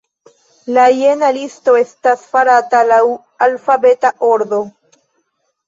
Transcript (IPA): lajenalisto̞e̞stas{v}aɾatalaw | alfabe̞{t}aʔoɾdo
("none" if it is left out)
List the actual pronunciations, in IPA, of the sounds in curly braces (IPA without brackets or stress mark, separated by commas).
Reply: f, t